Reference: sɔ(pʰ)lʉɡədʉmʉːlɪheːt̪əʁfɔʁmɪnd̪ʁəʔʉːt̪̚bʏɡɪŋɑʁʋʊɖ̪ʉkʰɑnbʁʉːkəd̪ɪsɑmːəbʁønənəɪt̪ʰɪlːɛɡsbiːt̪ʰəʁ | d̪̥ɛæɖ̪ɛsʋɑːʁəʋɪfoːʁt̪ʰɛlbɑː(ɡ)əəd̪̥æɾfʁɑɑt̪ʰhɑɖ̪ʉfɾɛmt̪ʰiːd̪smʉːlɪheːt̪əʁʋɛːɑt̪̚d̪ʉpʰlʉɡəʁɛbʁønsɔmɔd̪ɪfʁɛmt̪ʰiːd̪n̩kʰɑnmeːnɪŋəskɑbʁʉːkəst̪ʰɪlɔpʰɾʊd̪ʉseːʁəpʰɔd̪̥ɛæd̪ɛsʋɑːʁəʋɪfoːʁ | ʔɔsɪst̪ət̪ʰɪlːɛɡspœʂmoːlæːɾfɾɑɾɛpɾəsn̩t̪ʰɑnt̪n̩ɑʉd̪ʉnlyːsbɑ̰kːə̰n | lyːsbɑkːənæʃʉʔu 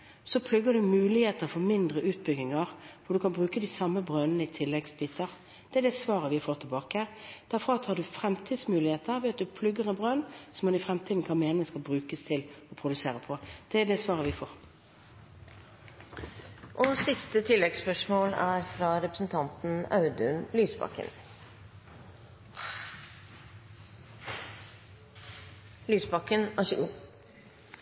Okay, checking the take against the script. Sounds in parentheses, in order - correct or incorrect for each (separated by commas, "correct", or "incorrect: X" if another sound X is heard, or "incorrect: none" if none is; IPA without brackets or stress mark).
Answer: correct, incorrect: k